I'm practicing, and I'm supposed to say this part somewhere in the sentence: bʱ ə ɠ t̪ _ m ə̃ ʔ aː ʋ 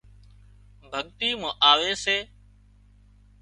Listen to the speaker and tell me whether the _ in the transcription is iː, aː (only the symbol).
iː